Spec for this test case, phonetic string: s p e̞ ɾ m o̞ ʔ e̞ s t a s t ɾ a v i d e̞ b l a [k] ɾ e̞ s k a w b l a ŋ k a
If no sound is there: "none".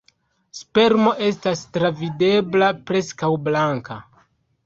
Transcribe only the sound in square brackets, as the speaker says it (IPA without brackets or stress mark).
p